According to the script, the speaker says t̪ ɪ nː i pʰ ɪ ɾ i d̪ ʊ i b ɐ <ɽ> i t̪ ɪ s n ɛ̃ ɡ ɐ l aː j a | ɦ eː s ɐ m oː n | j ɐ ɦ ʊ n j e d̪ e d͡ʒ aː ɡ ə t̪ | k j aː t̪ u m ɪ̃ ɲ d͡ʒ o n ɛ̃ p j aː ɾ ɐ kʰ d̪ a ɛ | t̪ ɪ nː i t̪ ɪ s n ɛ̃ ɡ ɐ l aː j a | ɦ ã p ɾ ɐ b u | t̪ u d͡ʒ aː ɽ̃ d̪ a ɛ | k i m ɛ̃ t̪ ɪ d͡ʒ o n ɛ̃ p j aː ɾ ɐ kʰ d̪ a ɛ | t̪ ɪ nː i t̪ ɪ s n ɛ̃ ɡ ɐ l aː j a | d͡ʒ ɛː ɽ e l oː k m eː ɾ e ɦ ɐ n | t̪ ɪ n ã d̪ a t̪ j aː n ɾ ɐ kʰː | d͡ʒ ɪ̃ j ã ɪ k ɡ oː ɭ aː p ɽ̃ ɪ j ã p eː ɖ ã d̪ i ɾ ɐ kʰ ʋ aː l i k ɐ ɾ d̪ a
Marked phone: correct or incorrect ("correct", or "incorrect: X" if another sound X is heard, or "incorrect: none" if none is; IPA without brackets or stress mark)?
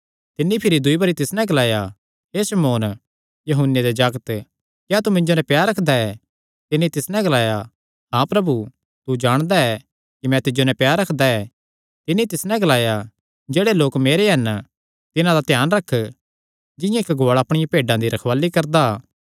incorrect: ɾ